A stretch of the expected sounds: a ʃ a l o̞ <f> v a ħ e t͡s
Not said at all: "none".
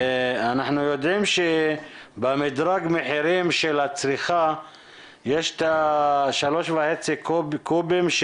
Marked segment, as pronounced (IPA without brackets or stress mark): ʃ